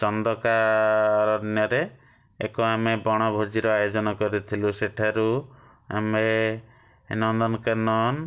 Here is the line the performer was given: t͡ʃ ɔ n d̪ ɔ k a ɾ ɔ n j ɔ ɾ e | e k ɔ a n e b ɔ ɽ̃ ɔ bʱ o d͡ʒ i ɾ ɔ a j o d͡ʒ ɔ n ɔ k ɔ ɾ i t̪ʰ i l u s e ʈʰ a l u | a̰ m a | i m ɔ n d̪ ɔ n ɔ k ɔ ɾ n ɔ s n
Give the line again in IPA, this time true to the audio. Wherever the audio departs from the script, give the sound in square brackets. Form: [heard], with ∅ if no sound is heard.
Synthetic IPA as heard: t͡ʃ ɔ n d̪ ɔ k a ɾ ɔ n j ɔ ɾ e | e k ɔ a [m] e b ɔ ɽ̃ ɔ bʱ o d͡ʒ i ɾ ɔ a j o d͡ʒ ɔ n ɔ k ɔ ɾ i t̪ʰ i l u s e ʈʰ a [ɾ] u | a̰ m [e] | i [n] ɔ n d̪ ɔ n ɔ k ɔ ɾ n ɔ [∅] n